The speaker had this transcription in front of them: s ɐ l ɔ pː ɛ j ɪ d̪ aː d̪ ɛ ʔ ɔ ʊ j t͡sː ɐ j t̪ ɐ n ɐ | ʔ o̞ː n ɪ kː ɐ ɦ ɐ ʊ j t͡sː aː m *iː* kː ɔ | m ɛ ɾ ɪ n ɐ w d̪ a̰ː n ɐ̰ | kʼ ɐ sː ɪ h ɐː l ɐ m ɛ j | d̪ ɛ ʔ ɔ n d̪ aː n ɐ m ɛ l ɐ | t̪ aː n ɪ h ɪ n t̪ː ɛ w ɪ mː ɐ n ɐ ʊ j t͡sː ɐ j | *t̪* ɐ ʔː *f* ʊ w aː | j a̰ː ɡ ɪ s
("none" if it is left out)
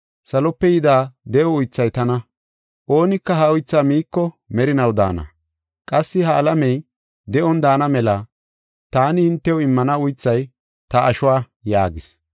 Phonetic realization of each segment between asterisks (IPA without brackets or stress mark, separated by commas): iː, t̪, ʃ